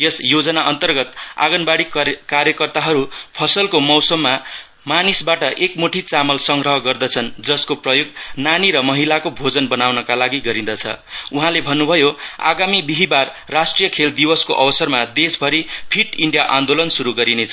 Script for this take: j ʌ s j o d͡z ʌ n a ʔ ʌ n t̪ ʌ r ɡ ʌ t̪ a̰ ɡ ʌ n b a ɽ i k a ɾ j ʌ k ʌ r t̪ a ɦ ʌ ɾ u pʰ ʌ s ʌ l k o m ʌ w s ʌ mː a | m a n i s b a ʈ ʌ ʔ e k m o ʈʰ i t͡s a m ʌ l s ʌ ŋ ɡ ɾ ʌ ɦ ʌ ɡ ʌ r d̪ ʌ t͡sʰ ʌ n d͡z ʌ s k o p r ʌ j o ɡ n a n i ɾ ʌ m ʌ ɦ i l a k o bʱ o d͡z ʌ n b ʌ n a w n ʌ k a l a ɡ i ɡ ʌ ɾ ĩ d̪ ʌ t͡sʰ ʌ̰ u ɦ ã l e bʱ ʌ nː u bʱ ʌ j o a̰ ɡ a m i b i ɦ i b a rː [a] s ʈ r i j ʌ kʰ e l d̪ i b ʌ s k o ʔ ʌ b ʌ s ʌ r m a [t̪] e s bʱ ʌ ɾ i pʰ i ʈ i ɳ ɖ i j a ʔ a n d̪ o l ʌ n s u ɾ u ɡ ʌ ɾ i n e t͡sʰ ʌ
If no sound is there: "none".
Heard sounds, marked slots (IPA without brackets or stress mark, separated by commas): a, d̪